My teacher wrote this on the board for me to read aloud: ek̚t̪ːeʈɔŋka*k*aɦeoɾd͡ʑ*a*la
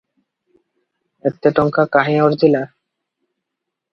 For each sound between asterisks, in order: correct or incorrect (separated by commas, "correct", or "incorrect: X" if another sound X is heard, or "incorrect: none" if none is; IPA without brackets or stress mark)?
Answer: correct, incorrect: i